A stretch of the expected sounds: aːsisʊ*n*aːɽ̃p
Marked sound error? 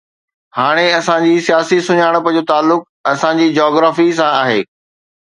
yes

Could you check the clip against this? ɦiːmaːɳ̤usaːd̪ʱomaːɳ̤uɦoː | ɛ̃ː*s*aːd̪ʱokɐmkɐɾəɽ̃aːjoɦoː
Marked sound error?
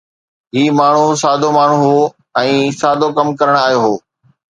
no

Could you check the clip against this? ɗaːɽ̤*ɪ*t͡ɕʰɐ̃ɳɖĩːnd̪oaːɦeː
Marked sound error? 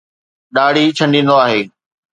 yes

